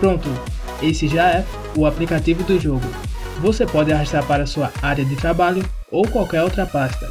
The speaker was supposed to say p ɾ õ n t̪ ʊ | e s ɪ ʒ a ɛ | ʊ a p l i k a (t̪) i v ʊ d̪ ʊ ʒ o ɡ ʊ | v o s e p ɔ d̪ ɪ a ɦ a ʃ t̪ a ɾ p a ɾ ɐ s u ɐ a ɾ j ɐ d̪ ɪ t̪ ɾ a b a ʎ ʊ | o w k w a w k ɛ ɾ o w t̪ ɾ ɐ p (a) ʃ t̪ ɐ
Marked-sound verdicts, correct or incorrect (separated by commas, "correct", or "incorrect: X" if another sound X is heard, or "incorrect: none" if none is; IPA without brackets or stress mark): correct, correct